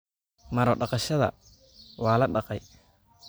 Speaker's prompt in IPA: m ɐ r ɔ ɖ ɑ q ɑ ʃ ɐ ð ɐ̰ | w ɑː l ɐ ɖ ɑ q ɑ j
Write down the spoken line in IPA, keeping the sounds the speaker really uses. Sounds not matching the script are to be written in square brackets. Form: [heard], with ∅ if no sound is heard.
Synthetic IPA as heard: m ɐ [ɾ] ɔ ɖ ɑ q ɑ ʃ ɐ ð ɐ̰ | w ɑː l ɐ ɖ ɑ q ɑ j